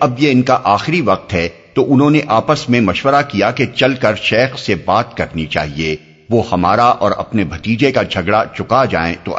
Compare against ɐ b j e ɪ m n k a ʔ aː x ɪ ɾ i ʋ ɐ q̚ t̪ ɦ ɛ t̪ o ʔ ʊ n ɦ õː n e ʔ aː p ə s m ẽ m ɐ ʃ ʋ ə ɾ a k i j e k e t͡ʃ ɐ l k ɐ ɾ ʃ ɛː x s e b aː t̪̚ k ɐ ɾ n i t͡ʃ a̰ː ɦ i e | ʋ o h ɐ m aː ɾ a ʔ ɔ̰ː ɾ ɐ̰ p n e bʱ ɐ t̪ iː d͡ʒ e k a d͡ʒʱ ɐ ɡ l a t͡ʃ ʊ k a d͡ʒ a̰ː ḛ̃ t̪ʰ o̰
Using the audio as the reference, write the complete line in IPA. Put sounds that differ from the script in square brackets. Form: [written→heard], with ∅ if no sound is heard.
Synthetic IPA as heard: ɐ b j e ɪ [m→∅] n k a ʔ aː x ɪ ɾ i ʋ ɐ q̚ t̪ ɦ ɛ t̪ o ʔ ʊ n ɦ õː n e ʔ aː p ə s m ẽ m ɐ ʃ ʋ ə ɾ a k i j [e→a] k e t͡ʃ ɐ l k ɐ ɾ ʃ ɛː x s e b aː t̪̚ k ɐ ɾ n i t͡ʃ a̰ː ɦ i e | ʋ o h ɐ m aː ɾ a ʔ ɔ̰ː ɾ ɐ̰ p n e bʱ ɐ t̪ iː d͡ʒ e k a d͡ʒʱ ɐ ɡ [l→ɽ] a t͡ʃ ʊ k a d͡ʒ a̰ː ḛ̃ [t̪ʰ→t̪] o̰